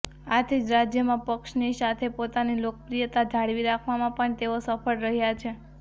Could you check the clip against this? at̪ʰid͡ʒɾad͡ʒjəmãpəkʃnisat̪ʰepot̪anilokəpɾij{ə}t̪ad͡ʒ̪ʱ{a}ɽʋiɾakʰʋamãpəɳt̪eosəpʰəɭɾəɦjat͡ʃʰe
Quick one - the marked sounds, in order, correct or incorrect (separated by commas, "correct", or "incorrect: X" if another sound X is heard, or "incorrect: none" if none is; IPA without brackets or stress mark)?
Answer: correct, correct